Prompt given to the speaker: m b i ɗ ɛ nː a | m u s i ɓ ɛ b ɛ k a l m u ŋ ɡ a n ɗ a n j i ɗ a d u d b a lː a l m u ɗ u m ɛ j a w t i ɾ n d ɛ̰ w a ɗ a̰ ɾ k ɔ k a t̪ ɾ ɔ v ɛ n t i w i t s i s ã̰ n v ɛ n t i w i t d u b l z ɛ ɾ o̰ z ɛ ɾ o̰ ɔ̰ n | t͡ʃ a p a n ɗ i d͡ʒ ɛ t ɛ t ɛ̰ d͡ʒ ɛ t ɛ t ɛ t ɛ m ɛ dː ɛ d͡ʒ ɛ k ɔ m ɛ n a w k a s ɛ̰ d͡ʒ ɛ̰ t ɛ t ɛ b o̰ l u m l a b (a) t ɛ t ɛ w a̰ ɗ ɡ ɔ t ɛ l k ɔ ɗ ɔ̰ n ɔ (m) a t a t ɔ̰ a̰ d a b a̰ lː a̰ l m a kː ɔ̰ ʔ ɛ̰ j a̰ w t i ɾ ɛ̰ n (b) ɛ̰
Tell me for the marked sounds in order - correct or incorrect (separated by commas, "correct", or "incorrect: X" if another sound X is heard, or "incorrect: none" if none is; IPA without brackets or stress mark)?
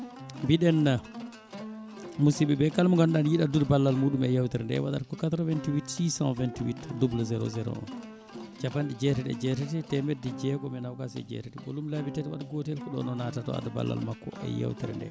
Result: incorrect: i, incorrect: n, incorrect: d